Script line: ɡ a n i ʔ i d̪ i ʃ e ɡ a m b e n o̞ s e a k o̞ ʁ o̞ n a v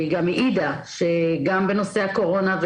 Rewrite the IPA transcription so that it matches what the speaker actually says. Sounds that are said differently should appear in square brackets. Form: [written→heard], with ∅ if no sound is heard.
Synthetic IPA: ɡ a [n→m] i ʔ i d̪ [i→a] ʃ e ɡ a m b e n o̞ s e a k o̞ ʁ o̞ n a v